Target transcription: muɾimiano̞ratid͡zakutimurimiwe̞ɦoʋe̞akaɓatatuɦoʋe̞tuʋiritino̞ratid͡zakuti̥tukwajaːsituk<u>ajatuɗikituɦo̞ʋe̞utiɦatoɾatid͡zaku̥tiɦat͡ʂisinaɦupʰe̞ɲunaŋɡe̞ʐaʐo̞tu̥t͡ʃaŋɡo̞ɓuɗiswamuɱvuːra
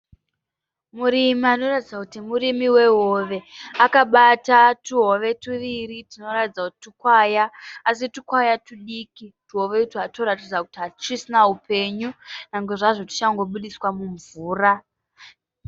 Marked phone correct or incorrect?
incorrect: w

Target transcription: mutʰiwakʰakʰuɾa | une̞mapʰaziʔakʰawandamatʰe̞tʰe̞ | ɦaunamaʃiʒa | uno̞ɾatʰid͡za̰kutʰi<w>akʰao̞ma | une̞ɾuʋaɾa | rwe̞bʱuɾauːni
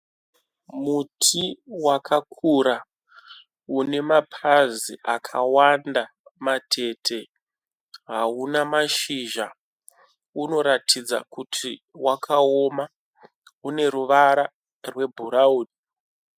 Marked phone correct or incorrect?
correct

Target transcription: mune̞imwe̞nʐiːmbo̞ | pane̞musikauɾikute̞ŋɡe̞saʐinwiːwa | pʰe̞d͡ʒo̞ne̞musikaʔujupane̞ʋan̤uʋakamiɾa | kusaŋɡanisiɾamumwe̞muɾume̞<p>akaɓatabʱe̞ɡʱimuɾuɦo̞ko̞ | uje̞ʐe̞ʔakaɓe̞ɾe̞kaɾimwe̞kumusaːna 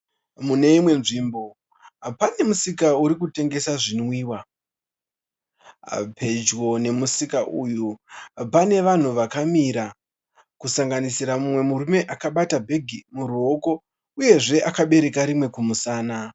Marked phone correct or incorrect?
incorrect: ʔ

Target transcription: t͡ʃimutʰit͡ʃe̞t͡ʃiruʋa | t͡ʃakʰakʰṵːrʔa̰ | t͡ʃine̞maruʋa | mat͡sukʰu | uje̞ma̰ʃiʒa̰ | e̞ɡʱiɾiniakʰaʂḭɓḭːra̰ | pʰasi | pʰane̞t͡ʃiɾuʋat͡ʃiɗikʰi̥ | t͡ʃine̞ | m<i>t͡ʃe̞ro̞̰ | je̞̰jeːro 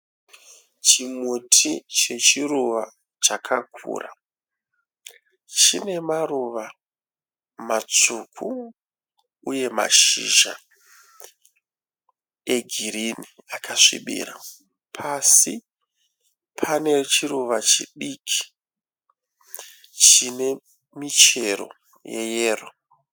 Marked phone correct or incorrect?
correct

